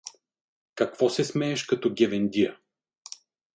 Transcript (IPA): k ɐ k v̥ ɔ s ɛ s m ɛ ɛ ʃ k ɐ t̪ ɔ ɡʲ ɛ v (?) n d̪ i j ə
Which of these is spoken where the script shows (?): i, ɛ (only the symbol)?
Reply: ɛ